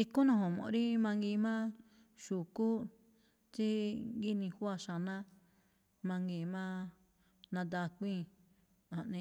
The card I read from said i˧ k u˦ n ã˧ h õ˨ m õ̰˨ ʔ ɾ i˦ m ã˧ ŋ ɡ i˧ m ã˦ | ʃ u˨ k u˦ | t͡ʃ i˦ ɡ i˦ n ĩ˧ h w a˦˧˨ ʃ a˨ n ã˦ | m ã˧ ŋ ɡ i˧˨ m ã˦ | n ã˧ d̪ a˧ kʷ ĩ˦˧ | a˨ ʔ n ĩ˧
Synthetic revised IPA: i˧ k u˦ n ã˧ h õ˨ m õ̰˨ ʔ ɾ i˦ m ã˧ ŋ ɡ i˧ m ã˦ | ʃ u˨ k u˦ | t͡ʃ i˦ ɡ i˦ n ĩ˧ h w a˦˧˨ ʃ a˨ n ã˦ | m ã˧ ŋ ɡ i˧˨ m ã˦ | n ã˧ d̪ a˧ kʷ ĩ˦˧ | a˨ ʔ n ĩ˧